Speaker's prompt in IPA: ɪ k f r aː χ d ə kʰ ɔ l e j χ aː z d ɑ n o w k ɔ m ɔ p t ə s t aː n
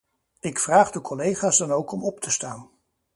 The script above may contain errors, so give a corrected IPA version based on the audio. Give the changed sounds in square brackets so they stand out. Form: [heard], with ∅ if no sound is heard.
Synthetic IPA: ɪ k f r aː χ d ə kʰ ɔ l e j χ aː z d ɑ n o w k ɔ m ɔ p t ə s t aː n